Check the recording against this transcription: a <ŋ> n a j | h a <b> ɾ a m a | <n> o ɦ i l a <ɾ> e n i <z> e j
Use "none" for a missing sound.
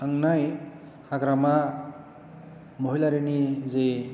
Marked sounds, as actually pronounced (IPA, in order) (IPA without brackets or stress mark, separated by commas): ŋ, ɡ, m, ɾ, z